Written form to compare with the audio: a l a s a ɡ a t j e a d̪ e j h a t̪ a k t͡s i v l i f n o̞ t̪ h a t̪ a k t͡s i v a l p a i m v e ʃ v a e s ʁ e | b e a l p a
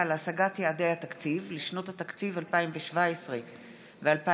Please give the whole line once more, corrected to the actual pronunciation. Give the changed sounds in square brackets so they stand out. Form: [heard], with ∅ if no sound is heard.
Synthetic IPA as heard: a l a s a ɡ a t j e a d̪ e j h a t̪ a k t͡s i v l i [ʃ] n o̞ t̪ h a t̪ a k t͡s i v a l p a i m v e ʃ v a e s ʁ e | [v] e a l p a